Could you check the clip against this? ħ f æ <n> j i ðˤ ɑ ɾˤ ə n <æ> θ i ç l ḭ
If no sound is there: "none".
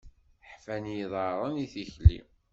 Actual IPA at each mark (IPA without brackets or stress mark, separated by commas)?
n, i